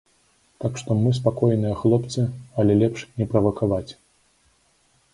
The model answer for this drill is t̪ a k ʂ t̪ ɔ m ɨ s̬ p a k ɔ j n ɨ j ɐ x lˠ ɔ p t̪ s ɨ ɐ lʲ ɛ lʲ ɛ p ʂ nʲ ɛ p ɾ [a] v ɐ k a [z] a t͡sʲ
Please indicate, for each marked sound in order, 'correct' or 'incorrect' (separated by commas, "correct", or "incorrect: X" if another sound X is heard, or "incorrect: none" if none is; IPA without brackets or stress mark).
incorrect: ɐ, incorrect: v